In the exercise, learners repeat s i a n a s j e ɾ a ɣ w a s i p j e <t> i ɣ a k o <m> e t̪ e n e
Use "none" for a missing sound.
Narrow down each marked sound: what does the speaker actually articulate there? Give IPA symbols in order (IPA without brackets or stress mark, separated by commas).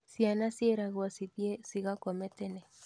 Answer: s, m